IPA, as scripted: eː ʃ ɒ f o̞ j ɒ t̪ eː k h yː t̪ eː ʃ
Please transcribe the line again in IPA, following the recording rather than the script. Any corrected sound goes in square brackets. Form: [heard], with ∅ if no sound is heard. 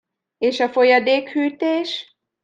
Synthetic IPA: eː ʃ ɒ f o̞ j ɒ [d̪] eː k h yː t̪ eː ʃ